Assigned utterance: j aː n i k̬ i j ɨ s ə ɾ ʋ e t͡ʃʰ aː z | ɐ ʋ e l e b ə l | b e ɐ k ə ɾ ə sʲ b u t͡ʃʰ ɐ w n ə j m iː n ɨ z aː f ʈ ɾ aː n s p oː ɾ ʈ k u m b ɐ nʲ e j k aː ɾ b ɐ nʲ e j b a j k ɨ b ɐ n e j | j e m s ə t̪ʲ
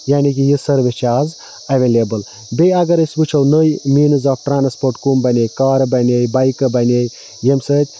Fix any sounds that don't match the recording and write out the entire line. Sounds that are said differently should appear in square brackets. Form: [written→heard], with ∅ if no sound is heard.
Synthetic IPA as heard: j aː n i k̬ i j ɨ s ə ɾ ʋ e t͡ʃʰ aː z | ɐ ʋ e l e b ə l | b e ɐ [k→ɡ] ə ɾ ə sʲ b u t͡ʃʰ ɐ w n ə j m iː n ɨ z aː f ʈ ɾ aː n s p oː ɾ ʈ k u m b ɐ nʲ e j k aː ɾ b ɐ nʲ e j b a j k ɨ b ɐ n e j | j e m s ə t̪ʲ

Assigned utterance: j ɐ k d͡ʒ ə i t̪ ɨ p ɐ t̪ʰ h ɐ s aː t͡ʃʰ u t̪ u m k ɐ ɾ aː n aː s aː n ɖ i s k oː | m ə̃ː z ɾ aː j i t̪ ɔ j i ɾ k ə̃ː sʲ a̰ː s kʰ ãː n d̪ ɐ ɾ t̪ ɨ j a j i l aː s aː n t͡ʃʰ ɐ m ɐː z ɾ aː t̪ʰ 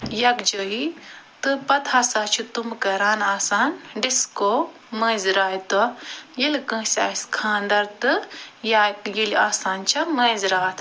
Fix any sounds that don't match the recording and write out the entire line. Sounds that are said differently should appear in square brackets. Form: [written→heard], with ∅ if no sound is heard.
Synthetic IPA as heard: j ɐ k d͡ʒ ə i t̪ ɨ p ɐ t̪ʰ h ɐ s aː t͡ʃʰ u t̪ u m k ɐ ɾ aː n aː s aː n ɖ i s k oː | m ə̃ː z ɾ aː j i t̪ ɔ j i [ɾ→l] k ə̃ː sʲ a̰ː s kʰ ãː n d̪ ɐ ɾ t̪ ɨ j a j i l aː s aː n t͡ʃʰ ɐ m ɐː z ɾ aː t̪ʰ

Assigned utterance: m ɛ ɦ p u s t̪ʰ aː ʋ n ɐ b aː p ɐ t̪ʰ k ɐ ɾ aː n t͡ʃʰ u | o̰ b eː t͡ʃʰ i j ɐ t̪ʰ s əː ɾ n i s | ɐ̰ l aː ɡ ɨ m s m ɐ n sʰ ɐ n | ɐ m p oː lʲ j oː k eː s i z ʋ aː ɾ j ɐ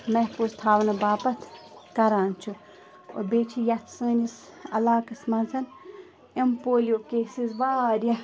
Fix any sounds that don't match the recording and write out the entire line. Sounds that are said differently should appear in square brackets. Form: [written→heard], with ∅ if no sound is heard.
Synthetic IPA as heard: m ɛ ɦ p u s t̪ʰ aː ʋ n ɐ b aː p ɐ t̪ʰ k ɐ ɾ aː n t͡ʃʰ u | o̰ b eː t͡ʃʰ i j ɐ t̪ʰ s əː [ɾ→∅] n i s | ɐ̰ l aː [ɡ→k] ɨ [m→∅] s m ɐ n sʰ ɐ n | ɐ m p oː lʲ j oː k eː s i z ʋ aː ɾ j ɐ

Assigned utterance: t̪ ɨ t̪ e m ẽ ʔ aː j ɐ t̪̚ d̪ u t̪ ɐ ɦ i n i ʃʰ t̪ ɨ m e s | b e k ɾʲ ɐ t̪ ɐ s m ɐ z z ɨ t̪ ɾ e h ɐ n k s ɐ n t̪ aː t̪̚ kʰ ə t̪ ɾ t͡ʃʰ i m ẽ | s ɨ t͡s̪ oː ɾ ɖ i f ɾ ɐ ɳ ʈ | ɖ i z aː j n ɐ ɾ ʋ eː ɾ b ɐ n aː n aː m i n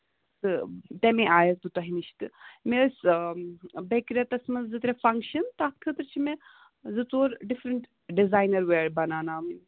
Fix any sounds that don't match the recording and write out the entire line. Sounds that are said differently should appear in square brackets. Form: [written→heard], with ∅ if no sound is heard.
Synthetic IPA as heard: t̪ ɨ t̪ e m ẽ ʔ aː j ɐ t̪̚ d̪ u t̪ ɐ ɦ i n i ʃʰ t̪ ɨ m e s | b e k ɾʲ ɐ t̪ ɐ s m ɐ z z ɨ t̪ ɾ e [h→f] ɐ [n→ŋ] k [s→ʃ] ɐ n t̪ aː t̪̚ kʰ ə t̪ ɾ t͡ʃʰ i m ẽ | [s→z] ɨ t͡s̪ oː ɾ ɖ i f ɾ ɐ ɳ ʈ | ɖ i z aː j n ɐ ɾ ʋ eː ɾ b ɐ n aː n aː m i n

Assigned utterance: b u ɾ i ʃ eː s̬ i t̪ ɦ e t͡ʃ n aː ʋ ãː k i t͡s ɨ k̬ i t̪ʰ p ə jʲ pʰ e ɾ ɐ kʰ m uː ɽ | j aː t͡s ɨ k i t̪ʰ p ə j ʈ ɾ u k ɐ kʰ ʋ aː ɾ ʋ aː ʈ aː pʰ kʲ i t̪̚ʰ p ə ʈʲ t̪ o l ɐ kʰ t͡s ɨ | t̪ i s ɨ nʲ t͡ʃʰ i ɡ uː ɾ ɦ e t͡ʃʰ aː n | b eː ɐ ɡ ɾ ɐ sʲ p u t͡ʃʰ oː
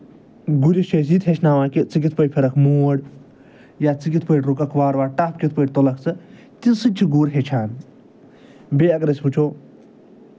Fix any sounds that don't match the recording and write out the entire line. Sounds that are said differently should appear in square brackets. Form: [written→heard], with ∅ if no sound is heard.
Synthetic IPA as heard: [b→ɡ] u ɾ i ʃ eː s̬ i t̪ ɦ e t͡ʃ n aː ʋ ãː k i t͡s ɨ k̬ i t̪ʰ p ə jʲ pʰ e ɾ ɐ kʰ m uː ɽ | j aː t͡s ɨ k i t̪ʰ p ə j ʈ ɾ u k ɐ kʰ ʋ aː ɾ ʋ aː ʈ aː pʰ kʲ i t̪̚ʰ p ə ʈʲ t̪ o l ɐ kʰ t͡s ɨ | t̪ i s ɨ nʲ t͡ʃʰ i ɡ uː ɾ ɦ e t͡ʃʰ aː n | b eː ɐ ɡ ɾ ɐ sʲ p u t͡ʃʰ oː

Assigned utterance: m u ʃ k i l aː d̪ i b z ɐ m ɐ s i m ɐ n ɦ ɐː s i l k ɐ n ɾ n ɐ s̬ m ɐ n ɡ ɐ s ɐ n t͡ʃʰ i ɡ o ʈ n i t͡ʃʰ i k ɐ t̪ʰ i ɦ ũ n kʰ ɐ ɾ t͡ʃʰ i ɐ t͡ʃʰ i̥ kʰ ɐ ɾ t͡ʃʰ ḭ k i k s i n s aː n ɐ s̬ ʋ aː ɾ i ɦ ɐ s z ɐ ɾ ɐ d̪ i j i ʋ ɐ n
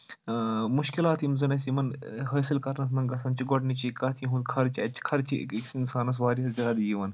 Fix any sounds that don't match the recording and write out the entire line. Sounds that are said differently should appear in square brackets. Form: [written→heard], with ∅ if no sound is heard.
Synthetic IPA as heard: m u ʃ k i l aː [d̪→t̪] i [b→m] z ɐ [m→n] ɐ s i m ɐ n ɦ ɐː s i l k ɐ [n→∅] ɾ n ɐ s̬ m ɐ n ɡ ɐ s ɐ n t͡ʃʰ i ɡ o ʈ n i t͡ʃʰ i k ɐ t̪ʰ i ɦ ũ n kʰ ɐ ɾ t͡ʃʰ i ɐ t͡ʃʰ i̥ kʰ ɐ ɾ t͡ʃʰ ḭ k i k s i n s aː n ɐ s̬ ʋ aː ɾ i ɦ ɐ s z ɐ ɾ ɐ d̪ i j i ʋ ɐ n

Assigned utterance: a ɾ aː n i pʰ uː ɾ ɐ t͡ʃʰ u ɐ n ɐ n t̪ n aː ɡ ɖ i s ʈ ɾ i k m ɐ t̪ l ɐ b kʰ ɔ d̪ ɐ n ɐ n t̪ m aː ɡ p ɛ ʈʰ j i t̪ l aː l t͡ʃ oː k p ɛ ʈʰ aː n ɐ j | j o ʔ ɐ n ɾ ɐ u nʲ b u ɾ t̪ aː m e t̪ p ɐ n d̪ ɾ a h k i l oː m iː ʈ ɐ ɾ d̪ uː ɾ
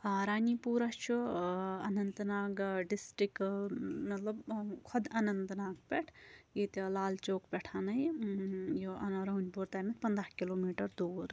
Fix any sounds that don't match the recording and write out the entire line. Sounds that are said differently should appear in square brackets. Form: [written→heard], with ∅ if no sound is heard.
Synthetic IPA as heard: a ɾ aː n i [pʰ→p] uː ɾ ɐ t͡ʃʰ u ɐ n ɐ n t̪ n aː ɡ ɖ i s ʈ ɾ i k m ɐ t̪ l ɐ b kʰ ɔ d̪ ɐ n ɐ n t̪ [m→n] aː ɡ p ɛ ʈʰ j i t̪ l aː l t͡ʃ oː k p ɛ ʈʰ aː n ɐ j | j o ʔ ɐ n ɾ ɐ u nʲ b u ɾ t̪ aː m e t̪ p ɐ n d̪ ɾ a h k i l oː m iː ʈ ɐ ɾ d̪ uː ɾ

